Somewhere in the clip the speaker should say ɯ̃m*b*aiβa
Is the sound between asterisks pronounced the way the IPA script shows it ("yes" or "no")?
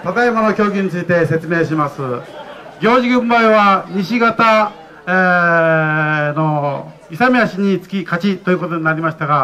yes